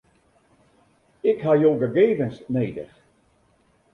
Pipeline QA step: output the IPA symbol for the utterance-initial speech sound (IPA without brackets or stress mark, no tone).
ɪ